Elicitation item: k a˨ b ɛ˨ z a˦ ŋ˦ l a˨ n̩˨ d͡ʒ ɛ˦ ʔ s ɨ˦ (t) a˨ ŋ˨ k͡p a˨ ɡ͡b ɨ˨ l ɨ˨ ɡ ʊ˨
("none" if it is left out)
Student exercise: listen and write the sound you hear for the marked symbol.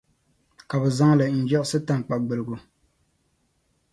t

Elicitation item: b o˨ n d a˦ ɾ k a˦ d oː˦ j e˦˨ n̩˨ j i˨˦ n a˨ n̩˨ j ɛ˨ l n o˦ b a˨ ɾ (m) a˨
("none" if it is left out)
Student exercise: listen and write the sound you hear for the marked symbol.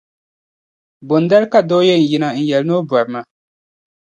m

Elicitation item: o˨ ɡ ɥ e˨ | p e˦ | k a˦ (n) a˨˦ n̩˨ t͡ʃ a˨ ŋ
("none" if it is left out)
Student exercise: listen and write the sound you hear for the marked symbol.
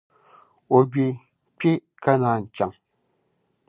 n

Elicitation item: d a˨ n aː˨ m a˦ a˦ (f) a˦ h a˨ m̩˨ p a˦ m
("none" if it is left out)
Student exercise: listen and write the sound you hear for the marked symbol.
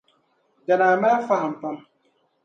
f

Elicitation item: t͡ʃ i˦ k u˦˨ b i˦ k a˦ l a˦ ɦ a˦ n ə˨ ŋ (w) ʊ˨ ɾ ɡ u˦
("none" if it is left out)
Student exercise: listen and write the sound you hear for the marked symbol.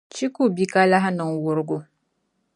w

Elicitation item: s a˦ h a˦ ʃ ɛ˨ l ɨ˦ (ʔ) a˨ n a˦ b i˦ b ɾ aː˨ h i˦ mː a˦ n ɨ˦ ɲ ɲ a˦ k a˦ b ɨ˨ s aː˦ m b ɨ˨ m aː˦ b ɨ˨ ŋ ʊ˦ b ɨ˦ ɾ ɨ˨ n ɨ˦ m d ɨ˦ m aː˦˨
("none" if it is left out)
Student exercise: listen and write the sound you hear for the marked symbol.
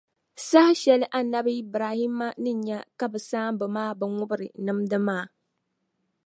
ʔ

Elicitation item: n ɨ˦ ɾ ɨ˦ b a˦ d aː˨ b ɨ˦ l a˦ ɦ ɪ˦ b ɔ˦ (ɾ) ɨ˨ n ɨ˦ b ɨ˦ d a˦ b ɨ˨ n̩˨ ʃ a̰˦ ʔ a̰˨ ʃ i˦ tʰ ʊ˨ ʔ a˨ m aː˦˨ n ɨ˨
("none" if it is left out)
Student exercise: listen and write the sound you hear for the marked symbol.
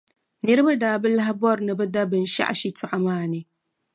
ɾ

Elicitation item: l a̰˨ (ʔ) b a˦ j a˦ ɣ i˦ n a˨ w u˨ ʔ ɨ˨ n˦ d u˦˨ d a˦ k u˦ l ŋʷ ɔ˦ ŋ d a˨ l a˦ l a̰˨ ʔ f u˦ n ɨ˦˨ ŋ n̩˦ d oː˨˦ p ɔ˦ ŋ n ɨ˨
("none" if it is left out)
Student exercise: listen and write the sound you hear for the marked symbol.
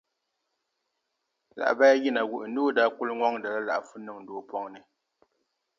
ʔ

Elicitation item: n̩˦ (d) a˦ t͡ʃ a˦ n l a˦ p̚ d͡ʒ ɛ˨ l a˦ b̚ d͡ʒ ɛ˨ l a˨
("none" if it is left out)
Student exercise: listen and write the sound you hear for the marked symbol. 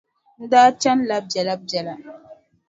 d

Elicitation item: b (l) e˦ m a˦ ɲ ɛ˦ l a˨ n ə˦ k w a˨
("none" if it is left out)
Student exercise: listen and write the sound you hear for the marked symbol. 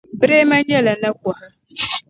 ɾ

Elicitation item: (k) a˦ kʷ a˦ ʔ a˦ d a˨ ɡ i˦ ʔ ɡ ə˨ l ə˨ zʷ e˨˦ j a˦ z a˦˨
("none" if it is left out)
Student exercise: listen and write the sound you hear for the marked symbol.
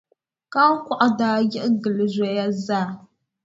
k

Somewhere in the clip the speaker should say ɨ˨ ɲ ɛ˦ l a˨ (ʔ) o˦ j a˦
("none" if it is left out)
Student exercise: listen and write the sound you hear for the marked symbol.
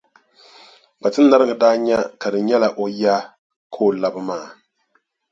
ʔ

